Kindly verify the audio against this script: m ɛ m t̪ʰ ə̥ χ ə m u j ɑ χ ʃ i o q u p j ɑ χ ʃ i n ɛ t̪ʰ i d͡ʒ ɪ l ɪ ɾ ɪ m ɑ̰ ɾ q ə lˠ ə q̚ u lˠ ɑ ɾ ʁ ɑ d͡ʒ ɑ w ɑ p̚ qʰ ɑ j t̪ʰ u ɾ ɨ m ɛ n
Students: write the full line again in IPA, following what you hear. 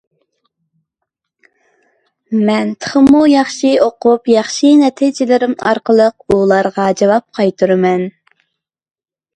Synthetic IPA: m ɛ n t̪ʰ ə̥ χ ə m u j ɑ χ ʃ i o q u p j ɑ χ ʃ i n ɛ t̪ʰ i d͡ʒ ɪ l ɪ ɾ ɪ m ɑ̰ ɾ q ə lˠ ə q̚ u lˠ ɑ ɾ ʁ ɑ d͡ʒ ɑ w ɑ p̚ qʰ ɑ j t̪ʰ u ɾ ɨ m ɛ n